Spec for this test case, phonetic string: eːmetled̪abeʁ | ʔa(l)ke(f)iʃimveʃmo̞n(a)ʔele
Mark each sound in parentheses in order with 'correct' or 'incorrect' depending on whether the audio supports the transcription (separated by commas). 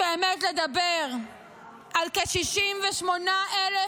correct, incorrect, correct